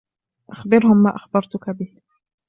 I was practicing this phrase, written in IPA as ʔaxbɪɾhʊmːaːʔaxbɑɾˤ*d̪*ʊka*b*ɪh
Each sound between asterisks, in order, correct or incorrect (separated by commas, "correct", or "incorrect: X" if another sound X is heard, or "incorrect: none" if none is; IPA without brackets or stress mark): incorrect: t̪, correct